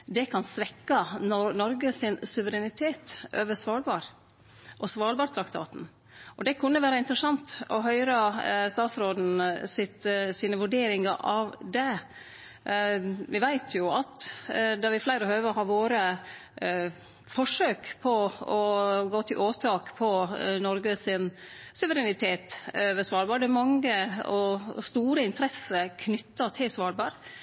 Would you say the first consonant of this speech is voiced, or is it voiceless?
voiced